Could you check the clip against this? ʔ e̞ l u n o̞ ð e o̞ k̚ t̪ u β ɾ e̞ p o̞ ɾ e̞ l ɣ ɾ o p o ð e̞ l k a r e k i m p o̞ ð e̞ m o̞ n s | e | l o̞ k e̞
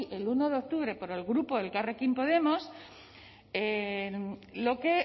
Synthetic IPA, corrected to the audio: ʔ e̞ l u n o̞ ð e o̞ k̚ t̪ u β ɾ e̞ p o̞ ɾ e̞ l ɣ ɾ u p o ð e̞ l k a r e k i m p o̞ ð e̞ m o̞ s | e | l o̞ k e̞